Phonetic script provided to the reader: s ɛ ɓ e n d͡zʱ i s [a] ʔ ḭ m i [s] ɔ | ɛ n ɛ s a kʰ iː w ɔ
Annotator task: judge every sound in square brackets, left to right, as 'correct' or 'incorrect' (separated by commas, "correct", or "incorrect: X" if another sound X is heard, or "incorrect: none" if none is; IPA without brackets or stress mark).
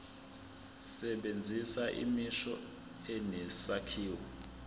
correct, incorrect: ʃ